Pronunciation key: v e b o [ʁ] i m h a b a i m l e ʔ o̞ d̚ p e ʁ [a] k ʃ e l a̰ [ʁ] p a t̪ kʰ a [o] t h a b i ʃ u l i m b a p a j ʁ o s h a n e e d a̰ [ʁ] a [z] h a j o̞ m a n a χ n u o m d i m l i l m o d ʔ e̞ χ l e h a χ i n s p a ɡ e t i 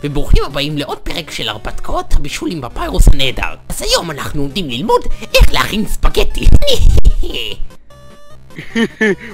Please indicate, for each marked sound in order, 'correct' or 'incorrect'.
incorrect: χ, incorrect: e, correct, correct, correct, correct

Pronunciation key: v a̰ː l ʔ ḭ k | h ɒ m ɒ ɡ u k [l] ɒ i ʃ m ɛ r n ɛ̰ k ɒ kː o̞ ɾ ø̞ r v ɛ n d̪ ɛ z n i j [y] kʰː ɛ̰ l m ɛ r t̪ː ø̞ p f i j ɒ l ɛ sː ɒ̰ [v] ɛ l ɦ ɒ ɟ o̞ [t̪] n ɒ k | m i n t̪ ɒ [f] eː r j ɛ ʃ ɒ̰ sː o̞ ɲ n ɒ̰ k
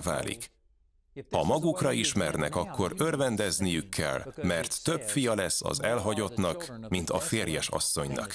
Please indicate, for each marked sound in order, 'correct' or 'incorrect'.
incorrect: r, correct, incorrect: z, correct, correct

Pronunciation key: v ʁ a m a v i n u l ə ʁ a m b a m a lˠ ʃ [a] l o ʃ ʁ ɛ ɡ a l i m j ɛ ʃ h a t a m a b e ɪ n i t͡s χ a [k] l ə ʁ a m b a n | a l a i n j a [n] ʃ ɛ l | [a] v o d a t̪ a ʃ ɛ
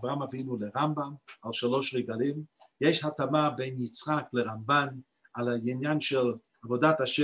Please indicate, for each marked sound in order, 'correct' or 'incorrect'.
correct, correct, correct, correct

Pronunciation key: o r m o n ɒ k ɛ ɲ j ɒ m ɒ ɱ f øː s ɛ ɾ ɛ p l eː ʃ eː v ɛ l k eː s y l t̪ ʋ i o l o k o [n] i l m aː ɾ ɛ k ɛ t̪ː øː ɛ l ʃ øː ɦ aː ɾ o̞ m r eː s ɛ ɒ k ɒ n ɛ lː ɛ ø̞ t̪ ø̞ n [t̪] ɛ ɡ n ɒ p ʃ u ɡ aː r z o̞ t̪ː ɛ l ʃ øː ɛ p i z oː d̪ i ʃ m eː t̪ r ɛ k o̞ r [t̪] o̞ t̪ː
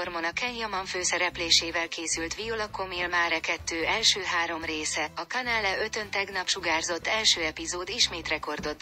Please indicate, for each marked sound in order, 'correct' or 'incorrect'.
incorrect: m, correct, incorrect: d̪

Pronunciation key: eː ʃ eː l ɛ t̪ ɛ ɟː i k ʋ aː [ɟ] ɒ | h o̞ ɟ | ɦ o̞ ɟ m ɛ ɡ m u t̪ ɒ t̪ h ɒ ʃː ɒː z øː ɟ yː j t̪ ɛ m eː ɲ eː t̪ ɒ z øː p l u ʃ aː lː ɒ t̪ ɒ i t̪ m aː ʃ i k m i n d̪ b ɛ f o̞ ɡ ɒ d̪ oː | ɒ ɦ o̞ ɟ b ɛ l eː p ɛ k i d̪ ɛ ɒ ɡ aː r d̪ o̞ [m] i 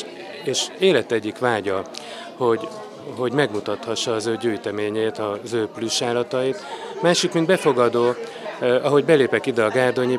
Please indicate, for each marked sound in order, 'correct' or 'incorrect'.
correct, incorrect: ɲ

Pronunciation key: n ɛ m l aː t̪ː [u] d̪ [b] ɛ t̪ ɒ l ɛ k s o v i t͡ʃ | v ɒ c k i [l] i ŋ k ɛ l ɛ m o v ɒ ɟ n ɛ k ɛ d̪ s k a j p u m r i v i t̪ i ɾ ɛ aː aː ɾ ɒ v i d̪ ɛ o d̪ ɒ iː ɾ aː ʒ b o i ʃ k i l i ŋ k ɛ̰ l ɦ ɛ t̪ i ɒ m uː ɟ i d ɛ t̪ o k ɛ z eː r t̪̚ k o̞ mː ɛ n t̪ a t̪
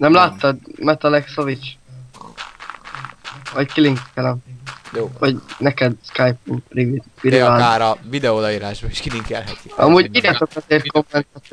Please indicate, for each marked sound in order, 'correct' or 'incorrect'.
incorrect: ɒ, incorrect: m, correct

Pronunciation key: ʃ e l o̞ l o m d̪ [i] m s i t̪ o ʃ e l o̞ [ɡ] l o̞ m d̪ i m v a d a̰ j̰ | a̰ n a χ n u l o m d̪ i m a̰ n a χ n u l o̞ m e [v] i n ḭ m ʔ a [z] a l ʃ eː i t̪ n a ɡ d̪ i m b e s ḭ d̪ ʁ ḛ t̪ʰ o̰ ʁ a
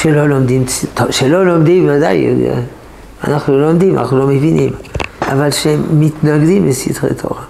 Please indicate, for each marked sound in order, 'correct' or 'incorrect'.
correct, incorrect: none, correct, incorrect: v

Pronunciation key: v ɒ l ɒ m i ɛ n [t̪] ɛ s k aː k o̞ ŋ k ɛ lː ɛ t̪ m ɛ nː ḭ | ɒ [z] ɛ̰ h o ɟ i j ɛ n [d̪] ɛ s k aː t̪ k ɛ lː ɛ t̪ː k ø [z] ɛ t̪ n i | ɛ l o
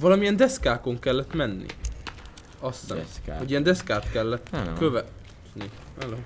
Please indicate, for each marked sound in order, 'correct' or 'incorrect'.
incorrect: d̪, incorrect: s, correct, incorrect: v

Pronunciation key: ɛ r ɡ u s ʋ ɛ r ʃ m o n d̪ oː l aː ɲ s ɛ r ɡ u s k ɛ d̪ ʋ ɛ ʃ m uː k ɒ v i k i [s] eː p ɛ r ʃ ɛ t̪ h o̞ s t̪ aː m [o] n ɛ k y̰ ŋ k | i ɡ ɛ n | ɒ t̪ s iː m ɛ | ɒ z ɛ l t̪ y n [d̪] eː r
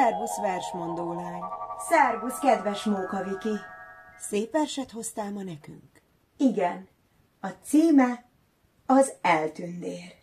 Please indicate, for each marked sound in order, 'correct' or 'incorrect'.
correct, incorrect: ɒ, correct

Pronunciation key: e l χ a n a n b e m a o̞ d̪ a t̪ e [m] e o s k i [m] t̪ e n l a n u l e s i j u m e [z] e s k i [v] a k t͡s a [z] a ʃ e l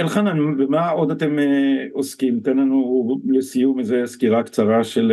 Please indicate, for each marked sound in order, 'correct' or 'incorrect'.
correct, correct, correct, incorrect: ʁ, incorrect: ʁ

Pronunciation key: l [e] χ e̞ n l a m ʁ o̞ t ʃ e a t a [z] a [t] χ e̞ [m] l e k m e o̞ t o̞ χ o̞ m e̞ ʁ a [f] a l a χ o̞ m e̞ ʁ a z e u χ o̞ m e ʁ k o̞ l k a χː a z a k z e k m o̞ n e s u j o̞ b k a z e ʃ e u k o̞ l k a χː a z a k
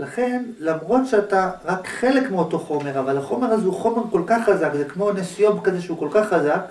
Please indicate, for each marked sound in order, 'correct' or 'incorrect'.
incorrect: a, incorrect: ʁ, incorrect: k, incorrect: none, incorrect: v

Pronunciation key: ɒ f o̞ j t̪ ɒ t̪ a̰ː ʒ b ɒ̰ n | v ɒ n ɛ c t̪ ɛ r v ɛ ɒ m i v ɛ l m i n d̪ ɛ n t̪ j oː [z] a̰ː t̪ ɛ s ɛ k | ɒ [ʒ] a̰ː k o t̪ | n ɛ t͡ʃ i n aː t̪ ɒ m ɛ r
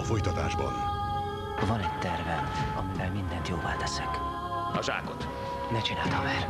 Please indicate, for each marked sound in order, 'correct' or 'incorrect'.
incorrect: v, correct

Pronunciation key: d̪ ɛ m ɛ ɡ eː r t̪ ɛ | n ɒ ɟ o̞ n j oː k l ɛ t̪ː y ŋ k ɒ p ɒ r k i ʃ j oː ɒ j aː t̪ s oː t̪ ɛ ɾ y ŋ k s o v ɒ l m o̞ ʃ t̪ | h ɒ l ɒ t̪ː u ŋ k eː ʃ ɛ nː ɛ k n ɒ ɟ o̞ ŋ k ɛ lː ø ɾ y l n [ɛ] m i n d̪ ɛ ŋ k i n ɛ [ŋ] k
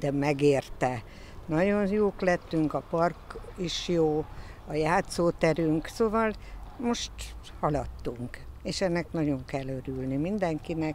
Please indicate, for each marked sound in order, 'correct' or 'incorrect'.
incorrect: i, incorrect: none

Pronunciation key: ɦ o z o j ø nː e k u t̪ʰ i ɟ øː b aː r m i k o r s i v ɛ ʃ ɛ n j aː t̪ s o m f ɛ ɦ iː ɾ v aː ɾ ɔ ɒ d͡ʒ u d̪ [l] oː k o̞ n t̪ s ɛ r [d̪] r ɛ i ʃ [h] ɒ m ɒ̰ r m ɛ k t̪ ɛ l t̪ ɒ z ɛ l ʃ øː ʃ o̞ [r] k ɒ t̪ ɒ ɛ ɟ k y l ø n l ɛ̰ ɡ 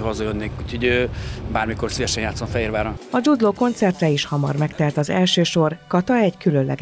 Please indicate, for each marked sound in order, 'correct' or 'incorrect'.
correct, incorrect: t̪, correct, correct

